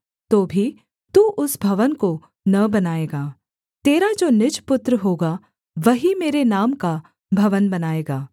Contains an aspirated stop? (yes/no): no